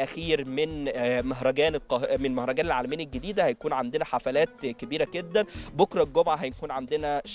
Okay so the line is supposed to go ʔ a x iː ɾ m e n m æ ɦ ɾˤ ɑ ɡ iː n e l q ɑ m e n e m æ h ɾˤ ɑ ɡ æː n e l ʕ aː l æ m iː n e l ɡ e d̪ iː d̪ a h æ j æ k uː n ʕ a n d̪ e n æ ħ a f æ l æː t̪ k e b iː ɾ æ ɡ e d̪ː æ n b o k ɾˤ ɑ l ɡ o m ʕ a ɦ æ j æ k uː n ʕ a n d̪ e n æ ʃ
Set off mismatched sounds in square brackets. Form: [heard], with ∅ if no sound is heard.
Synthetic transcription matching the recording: ʔ [æ] x iː ɾ m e n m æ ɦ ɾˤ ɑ ɡ [æː] n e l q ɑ m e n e m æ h ɾˤ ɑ ɡ æː n e l ʕ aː l æ m iː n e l ɡ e d̪ iː d̪ [æ] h æ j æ k uː n ʕ a n d̪ e n æ ħ a f æ l æː t̪ k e b iː ɾ æ ɡ e d̪ː æ n b o k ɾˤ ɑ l ɡ o m ʕ a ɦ æ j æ k uː n ʕ a n d̪ e n æ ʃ

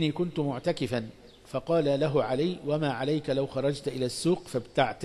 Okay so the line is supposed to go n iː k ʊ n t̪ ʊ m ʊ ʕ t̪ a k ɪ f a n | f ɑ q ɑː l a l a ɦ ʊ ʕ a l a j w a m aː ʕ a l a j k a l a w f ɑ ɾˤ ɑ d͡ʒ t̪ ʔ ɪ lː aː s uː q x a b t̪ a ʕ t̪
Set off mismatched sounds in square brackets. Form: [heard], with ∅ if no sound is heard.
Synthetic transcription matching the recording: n iː k ʊ n t̪ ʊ m ʊ ʕ t̪ a k ɪ f a n | f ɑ q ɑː l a l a ɦ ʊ ʕ a l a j w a m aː ʕ a l a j k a l a w [x] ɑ ɾˤ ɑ d͡ʒ t̪ ʔ ɪ [l] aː [sː] uː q [f] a b t̪ a ʕ t̪

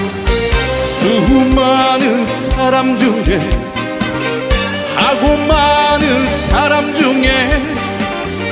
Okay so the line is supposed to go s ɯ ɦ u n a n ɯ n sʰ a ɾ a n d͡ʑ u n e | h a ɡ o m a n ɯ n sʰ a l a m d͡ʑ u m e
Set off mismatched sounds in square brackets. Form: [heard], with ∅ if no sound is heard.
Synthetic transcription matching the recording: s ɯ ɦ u [m] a n ɯ n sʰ a ɾ a [m] d͡ʑ u [ŋ] e | h a ɡ o m a n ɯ n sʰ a [ɾ] a m d͡ʑ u [ŋ] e

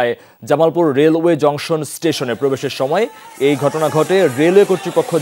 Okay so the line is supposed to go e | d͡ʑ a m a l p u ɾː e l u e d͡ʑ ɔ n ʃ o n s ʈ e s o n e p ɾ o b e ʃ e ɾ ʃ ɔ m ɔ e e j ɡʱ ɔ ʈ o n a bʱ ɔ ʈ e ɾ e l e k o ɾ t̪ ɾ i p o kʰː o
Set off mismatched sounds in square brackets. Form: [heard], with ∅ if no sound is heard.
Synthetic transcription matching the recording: e | d͡ʑ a m a l p u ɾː e l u e d͡ʑ ɔ [ŋ] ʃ o n s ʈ e [ʃ] o n e p ɾ o b e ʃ e ɾ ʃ ɔ m ɔ e e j ɡʱ ɔ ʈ o n a [ɡʱ] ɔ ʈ e ɾ e l e k o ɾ t̪ ɾ i p o kʰː o

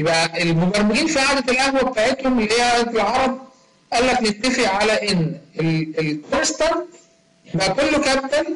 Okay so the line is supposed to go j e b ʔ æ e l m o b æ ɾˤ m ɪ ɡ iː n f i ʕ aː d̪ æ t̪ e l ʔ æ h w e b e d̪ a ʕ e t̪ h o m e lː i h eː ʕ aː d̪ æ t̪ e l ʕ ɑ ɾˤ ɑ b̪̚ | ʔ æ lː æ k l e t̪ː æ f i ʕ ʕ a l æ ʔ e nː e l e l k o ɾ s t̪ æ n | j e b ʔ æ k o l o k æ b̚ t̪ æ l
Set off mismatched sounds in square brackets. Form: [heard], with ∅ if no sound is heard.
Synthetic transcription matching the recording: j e b ʔ æ e l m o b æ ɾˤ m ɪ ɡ iː n f i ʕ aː d̪ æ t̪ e l ʔ æ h w [æ] b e [t̪] a ʕ e t̪ h o m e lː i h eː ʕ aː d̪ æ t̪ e l ʕ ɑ ɾˤ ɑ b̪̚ | ʔ æ lː æ k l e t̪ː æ f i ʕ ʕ a l æ ʔ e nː e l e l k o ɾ s t̪ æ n | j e b ʔ æ k o [lː] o k æ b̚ t̪ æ l

